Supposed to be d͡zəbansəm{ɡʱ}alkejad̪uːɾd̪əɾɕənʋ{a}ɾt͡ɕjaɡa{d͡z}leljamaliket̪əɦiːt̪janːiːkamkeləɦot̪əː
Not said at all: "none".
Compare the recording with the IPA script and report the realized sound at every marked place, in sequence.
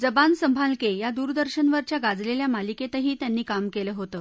bʱ, ə, d͡z

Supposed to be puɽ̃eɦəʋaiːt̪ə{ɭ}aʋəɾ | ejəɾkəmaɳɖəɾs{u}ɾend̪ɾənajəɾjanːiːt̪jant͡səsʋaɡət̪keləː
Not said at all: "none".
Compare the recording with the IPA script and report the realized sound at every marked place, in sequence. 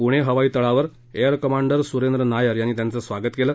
ɭ, u

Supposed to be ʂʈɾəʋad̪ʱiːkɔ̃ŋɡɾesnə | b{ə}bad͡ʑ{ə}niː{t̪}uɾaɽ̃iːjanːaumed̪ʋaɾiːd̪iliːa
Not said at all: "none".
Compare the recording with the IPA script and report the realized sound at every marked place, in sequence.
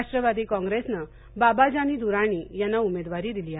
a, a, d̪

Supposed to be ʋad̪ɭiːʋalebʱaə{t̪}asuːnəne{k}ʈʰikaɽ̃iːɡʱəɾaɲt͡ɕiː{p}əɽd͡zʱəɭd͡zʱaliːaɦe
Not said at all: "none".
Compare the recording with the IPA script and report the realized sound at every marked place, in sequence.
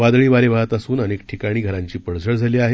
t̪, k, p

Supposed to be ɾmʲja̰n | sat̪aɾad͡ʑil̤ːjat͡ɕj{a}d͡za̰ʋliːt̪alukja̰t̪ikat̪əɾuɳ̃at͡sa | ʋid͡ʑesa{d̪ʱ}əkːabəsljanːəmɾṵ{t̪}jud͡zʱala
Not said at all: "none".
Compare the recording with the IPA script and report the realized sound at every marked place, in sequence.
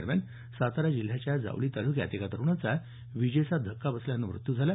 a, d̪ʱ, t̪

